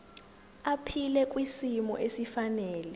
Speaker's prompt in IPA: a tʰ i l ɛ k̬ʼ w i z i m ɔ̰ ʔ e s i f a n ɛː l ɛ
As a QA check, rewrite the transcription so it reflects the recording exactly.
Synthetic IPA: a pʰ i l ɛ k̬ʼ w i s i m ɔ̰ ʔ e s i f a n ɛː l ɛ